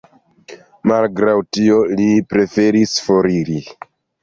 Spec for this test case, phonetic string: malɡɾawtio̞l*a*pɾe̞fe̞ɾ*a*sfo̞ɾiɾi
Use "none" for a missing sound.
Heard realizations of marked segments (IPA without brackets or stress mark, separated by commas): i, i